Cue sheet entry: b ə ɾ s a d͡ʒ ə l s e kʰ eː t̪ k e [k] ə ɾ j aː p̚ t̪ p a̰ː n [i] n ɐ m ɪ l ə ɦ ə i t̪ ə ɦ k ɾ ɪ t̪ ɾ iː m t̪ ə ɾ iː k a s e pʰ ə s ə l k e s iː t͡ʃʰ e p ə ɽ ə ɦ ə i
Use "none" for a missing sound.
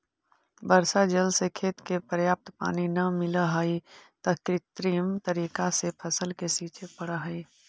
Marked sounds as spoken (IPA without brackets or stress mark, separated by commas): p, i